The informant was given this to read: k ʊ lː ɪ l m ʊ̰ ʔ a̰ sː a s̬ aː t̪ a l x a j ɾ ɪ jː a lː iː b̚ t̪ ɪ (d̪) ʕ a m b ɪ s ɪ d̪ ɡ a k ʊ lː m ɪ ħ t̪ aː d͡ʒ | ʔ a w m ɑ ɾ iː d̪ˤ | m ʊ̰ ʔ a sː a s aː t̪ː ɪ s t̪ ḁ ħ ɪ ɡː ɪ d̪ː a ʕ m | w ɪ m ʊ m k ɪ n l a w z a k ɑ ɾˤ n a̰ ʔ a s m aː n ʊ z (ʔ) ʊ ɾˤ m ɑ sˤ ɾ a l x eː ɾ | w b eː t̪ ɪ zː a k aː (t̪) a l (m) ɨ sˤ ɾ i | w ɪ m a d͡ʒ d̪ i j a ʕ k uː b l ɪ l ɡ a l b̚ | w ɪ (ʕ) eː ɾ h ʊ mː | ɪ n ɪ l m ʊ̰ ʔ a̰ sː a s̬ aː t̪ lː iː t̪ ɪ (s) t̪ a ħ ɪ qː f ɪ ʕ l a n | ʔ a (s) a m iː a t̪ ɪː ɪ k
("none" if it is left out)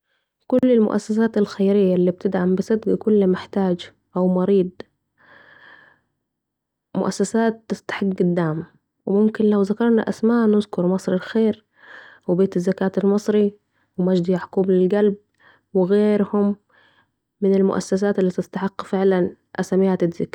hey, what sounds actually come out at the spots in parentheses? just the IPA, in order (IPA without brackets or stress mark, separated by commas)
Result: d̪, k, t̪, m, ɣ, s, s